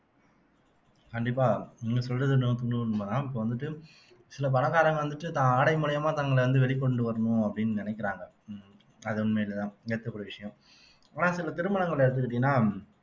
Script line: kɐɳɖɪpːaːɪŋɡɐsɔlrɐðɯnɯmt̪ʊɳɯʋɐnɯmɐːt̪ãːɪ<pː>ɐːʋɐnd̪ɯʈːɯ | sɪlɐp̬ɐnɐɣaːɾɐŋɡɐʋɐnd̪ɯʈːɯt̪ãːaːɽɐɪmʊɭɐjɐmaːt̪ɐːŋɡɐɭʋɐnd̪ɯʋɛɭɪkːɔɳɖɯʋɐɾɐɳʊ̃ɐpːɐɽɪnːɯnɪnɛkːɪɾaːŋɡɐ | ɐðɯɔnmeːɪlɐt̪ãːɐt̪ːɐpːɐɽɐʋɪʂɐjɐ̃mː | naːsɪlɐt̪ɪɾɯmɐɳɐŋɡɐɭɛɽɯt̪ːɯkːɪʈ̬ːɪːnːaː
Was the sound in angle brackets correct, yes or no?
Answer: yes